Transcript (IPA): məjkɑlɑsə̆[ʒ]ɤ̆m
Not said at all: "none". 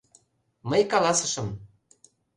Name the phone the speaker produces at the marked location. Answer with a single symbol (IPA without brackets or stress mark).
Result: ʃ